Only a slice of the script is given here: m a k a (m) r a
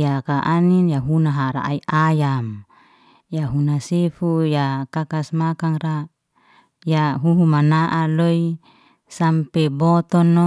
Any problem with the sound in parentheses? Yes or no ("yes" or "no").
yes